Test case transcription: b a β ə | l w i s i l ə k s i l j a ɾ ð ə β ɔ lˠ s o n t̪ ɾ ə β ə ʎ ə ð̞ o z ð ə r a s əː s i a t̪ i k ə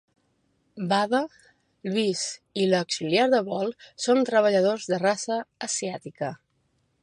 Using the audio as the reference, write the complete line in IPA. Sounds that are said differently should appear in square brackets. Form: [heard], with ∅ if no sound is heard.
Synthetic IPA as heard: b a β ə | l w i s i l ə k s i l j a ɾ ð ə β ɔ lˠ s o n t̪ ɾ ə β ə ʎ ə ð̞ o z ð ə r a s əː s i a t̪ i k ə